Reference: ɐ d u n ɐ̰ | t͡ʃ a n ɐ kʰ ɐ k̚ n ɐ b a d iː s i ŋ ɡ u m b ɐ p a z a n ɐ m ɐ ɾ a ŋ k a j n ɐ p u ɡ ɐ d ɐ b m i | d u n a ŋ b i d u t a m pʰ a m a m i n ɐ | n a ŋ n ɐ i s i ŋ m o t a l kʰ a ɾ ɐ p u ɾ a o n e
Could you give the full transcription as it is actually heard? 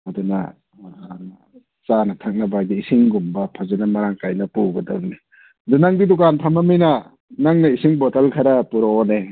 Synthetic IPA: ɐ d u n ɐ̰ | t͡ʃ a n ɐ tʰ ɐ k̚ n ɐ b a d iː s i ŋ ɡ u m b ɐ pʰ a z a n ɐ m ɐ ɾ a ŋ k a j n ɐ p u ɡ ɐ d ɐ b n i | d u n a ŋ d i d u k a n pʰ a m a m i n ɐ | n a ŋ n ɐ i s i ŋ b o t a l kʰ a ɾ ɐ p u ɾ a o n e